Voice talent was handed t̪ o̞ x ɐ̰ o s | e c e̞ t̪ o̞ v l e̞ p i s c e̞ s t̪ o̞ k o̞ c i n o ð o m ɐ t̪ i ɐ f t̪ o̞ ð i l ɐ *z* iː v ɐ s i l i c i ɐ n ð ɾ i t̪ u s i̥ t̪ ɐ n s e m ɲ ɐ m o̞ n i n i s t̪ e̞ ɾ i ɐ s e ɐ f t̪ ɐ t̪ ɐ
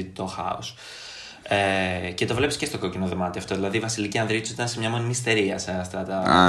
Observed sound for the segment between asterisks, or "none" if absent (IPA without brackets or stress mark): ð